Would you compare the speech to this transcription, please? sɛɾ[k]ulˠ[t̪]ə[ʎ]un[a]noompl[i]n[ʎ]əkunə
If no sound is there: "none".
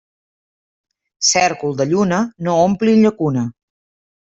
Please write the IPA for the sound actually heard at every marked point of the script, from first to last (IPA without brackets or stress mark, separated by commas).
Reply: k, d̪, ʎ, ə, i, ʎ